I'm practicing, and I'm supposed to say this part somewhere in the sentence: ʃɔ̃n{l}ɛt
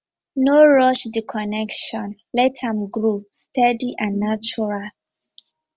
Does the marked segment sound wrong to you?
no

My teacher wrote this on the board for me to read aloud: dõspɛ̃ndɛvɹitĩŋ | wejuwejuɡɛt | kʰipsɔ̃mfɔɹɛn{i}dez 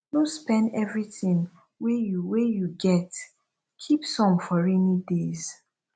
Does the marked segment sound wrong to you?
no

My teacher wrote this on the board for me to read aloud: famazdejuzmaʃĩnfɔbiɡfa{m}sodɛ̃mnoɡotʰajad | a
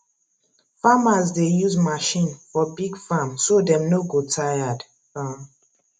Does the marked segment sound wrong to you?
no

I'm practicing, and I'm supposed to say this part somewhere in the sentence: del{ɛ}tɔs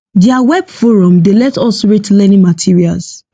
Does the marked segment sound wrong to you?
no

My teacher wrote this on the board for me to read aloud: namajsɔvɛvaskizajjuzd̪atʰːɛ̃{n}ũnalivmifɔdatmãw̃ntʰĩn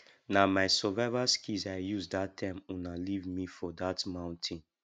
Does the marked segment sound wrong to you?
yes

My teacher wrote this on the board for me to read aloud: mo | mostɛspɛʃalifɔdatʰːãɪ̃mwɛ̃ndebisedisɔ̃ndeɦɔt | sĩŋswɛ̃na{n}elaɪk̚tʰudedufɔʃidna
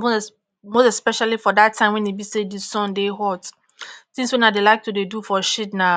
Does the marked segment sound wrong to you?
yes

